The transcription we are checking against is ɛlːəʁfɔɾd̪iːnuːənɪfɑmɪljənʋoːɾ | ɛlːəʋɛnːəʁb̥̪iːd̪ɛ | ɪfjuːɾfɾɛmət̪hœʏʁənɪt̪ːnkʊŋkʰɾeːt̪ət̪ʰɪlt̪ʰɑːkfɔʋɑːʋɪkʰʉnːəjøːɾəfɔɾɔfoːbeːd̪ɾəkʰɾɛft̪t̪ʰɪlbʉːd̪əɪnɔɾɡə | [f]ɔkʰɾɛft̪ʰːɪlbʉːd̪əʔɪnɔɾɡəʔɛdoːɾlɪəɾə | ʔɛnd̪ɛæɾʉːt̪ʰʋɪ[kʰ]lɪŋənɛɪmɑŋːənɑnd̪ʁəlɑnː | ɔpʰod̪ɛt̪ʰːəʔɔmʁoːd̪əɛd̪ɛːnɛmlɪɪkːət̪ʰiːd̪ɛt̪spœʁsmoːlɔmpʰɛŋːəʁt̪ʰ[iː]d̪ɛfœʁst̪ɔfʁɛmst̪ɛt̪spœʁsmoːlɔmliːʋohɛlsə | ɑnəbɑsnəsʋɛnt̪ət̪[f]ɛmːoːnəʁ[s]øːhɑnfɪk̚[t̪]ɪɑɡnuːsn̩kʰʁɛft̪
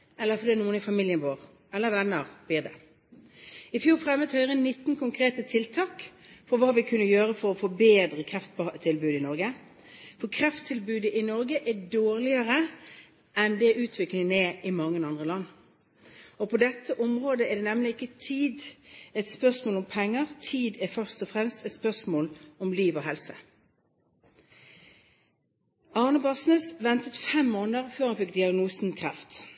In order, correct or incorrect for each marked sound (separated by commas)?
correct, incorrect, correct, correct, incorrect, incorrect